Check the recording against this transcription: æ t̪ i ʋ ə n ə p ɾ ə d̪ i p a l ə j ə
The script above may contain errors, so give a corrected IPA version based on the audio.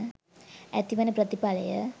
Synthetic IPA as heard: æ t̪ i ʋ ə n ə p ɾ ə t̪ i p a l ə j ə